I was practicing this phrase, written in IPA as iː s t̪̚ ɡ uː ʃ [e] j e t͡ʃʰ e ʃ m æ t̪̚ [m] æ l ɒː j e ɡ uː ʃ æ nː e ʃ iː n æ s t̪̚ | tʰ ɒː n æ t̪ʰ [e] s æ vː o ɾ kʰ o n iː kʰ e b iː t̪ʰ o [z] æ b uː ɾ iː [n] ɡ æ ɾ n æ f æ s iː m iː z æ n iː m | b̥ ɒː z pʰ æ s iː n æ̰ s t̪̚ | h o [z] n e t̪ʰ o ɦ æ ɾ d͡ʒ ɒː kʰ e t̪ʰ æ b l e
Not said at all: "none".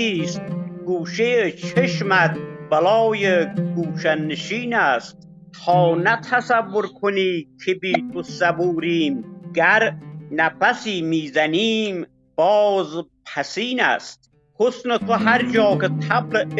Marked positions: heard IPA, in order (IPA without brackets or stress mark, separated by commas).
e, b, æ, s, m, s